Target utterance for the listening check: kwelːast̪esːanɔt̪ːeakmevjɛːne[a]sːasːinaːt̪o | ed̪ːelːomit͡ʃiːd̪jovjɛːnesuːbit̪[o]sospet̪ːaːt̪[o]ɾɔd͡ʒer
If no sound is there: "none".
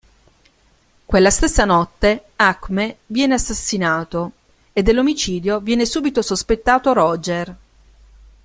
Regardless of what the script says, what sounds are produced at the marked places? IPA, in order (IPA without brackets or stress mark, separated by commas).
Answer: a, o, o